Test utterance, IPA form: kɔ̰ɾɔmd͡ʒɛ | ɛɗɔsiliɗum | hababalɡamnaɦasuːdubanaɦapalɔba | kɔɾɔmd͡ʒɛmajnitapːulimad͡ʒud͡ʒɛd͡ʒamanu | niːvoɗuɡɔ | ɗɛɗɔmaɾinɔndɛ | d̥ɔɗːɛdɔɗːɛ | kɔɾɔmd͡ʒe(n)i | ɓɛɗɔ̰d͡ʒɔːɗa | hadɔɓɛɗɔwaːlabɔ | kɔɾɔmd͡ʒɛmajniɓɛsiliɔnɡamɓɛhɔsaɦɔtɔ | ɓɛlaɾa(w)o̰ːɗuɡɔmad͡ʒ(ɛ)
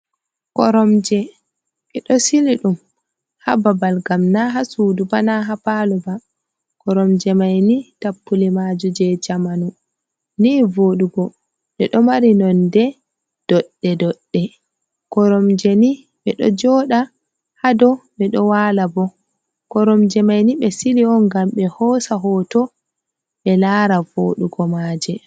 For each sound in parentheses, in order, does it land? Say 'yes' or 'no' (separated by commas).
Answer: yes, no, yes